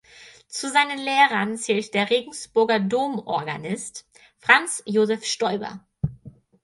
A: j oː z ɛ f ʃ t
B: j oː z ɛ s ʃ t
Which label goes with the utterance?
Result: A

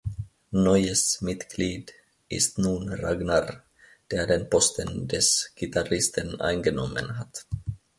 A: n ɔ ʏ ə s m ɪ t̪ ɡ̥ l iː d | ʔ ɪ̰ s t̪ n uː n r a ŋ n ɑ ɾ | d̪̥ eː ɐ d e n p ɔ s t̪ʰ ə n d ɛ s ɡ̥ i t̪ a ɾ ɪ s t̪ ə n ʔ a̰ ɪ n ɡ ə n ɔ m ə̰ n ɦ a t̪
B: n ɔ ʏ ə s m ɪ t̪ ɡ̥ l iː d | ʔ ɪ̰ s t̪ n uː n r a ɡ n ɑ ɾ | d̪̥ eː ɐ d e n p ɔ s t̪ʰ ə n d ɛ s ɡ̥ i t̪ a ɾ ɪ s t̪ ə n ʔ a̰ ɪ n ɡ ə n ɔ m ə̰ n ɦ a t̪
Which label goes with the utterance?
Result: B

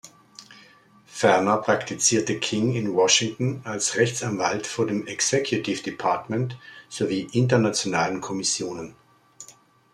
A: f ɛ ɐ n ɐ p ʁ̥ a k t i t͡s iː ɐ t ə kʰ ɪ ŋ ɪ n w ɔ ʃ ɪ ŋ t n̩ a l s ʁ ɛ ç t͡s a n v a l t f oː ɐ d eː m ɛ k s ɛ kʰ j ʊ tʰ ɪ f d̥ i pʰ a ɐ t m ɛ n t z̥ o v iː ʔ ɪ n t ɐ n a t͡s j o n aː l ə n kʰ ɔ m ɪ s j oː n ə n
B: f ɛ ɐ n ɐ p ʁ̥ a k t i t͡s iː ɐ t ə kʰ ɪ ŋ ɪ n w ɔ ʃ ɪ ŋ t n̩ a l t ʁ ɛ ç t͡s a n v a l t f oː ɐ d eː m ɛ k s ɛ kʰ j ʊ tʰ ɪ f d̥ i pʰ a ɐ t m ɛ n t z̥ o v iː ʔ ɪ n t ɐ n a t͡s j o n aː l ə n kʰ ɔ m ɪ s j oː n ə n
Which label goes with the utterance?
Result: A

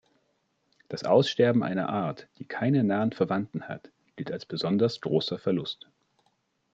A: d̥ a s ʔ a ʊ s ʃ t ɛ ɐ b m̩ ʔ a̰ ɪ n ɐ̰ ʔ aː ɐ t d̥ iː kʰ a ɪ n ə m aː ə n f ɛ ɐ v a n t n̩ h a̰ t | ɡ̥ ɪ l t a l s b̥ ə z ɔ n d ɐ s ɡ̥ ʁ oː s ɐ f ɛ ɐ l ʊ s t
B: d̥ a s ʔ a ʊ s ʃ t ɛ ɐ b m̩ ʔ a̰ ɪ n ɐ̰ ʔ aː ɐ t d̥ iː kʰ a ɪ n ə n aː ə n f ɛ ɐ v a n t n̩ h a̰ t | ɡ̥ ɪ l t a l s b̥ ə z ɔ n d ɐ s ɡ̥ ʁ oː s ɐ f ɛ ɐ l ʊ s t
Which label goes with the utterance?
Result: B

